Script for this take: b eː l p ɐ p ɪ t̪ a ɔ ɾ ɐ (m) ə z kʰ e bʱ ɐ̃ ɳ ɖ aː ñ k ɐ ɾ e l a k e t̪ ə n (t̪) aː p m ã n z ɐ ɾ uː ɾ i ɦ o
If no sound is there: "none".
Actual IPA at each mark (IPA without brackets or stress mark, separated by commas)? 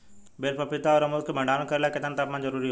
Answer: m, t̪